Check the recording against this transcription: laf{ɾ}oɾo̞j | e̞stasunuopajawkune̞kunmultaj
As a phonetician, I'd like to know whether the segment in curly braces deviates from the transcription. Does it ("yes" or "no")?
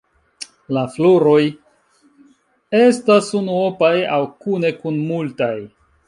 yes